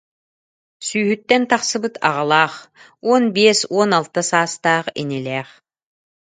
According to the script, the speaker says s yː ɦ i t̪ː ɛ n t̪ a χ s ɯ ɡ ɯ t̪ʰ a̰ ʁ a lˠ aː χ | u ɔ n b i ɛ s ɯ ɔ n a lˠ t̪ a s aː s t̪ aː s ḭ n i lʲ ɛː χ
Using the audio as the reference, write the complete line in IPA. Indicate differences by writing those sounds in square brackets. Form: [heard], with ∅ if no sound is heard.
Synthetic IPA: s yː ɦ [y] t̪ː ɛ n t̪ a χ s ɯ [b] ɯ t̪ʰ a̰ ʁ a lˠ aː χ | u ɔ n b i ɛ s [u] ɔ n a lˠ t̪ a s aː s t̪ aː [χ] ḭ n i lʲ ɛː χ